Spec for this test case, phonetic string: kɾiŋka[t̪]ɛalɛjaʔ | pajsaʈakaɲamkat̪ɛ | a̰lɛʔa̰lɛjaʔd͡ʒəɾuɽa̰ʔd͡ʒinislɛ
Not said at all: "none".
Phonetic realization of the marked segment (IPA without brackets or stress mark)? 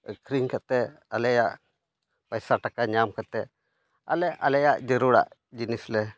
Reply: t̪